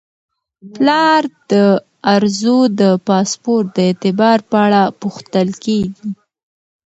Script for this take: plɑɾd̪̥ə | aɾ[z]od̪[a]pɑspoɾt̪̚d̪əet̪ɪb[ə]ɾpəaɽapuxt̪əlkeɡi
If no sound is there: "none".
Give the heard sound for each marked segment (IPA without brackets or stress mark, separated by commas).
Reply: z, ə, ɑ